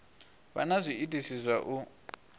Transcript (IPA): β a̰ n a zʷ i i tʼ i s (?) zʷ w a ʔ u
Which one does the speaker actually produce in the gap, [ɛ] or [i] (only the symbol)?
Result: i